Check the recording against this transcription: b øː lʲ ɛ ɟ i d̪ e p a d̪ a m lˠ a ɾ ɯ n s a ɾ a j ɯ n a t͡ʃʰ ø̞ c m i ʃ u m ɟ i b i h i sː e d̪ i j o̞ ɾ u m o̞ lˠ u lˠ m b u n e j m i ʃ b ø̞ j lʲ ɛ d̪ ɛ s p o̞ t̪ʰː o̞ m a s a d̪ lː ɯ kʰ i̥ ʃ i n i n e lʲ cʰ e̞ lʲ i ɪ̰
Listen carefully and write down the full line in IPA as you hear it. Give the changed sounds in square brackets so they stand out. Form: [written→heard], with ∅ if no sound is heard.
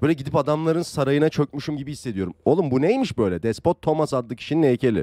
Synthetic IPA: b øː lʲ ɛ ɟ i d̪ [e→i] p a d̪ a m lˠ a ɾ ɯ n s a ɾ a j ɯ n a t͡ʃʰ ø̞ c m [i→y] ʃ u m ɟ i b i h i sː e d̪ i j o̞ ɾ u m o̞ lˠ u [lˠ→∅] m b u n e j m i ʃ b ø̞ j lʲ ɛ d̪ ɛ s p o̞ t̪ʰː o̞ m a s a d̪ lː ɯ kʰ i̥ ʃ i n i n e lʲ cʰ e̞ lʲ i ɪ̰

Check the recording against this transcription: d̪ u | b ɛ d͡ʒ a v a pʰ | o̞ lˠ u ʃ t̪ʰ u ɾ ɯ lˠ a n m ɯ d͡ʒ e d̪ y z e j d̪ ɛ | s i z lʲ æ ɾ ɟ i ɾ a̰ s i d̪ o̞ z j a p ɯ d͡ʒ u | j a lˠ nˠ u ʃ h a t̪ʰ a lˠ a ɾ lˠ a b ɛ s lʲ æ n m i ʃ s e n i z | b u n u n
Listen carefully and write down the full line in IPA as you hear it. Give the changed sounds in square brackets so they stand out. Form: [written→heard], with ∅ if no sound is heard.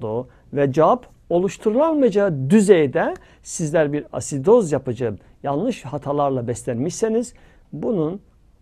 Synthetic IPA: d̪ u | [b→v] ɛ d͡ʒ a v a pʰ | o̞ lˠ u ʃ t̪ʰ u ɾ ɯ lˠ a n m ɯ d͡ʒ [e→a] d̪ y z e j d̪ ɛ | s i z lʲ æ ɾ [ɟ→b] i ɾ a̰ s i d̪ o̞ z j a p ɯ d͡ʒ [u→ɯ] | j a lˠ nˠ [u→ɯ] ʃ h a t̪ʰ a lˠ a ɾ lˠ a b ɛ s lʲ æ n m i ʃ s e n i z | b u n u n

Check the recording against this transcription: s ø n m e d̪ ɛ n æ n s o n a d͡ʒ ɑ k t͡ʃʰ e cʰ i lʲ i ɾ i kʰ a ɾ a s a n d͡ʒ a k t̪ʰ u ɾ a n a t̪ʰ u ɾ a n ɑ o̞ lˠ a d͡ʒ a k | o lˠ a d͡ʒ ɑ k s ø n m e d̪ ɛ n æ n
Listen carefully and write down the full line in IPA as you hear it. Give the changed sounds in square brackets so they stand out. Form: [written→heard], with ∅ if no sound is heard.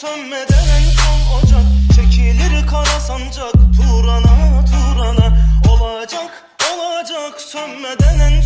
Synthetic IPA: s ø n m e d̪ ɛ n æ n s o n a d͡ʒ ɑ k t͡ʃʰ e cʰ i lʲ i ɾ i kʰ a ɾ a s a n d͡ʒ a k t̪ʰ u ɾ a n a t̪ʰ u ɾ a n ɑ o̞ lˠ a d͡ʒ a k | o lˠ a d͡ʒ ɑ k s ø n m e d̪ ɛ n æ n

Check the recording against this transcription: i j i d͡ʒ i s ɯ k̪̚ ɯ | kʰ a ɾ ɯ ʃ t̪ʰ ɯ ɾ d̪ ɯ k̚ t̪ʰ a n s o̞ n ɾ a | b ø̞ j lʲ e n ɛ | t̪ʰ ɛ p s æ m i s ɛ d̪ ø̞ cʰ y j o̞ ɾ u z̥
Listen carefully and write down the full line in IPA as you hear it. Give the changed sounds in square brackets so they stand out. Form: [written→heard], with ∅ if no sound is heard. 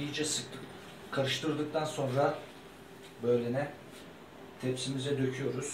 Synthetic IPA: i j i d͡ʒ [i→ɛ] s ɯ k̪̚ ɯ | kʰ a ɾ ɯ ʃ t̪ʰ ɯ ɾ d̪ ɯ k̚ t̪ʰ a n s o̞ n ɾ a | b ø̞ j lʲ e n ɛ | t̪ʰ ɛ p s [æ→i] m i [s→z] ɛ d̪ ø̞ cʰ y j o̞ ɾ u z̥

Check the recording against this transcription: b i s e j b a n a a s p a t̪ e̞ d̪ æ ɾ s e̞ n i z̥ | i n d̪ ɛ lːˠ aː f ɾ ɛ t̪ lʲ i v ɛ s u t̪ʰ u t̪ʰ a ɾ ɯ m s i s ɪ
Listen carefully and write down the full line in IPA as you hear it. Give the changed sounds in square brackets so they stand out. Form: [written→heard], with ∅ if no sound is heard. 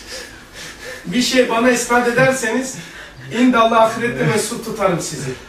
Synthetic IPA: b i [s→ʃ] e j b a n a [a→i] s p a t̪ e̞ d̪ æ ɾ s e̞ n i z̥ | i n d̪ [ɛ→a] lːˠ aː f ɾ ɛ t̪ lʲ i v ɛ s u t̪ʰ u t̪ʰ a ɾ ɯ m s i [s→z] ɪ

